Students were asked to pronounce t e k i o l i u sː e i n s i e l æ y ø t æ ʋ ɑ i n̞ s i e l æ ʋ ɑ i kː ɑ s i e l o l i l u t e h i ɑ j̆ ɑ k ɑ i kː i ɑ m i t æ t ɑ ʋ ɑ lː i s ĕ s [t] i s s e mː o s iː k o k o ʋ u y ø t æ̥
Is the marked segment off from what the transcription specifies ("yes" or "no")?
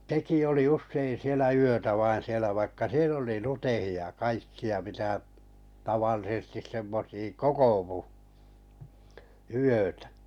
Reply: no